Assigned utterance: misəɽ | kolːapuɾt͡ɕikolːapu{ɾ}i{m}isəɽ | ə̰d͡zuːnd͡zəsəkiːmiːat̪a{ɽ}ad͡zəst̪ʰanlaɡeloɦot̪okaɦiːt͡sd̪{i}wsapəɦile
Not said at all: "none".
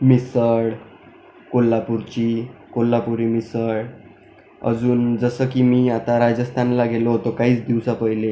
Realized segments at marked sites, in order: ɾ, m, ɾ, i

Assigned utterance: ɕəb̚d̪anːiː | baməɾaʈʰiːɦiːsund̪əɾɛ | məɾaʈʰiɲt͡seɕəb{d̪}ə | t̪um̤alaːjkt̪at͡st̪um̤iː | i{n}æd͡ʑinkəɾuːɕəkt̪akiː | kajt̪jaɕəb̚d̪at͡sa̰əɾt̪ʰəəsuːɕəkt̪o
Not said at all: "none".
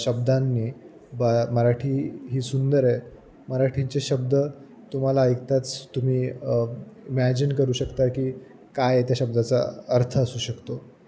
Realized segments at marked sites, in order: d̪, m

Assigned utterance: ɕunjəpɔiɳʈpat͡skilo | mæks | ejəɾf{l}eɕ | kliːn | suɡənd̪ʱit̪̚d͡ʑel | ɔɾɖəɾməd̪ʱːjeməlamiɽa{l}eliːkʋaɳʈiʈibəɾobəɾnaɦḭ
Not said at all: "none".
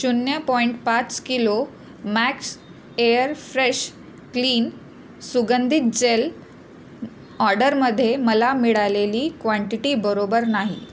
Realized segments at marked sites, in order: ɾ, l

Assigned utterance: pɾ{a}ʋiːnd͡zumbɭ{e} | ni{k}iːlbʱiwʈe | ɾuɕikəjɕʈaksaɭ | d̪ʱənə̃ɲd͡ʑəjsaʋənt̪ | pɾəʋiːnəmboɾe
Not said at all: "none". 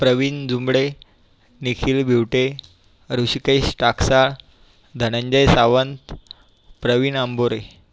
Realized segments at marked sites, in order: ə, e, kʰ

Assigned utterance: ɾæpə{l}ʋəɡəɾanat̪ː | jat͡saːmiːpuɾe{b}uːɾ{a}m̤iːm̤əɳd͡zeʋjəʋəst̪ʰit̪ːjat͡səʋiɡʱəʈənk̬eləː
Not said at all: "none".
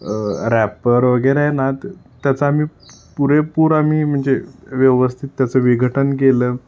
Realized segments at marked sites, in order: ɾ, p, a

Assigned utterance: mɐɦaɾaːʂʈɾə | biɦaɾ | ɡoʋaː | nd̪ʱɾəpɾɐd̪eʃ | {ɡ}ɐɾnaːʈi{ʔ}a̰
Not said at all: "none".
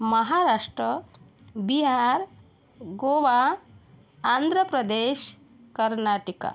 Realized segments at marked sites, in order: k, k

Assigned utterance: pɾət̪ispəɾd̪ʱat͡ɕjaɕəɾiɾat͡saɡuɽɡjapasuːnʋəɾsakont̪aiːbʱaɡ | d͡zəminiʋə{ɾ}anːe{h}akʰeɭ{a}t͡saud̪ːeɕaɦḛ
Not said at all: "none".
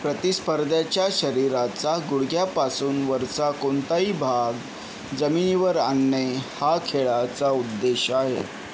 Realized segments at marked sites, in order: ɾ, h, a

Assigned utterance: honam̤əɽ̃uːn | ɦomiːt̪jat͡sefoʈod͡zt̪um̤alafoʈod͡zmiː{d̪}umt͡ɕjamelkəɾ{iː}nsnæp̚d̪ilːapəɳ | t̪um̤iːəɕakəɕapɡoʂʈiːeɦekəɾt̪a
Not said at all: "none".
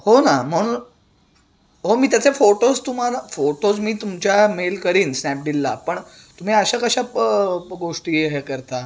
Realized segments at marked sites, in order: t̪, iː

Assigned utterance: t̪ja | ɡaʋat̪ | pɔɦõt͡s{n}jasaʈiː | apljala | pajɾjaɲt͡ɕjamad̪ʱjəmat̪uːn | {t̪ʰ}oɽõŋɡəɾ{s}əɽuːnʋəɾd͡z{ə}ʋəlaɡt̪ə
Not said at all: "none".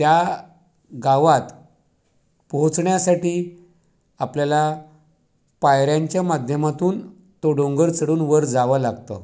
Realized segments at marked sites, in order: ɳ, t̪, t͡s, a

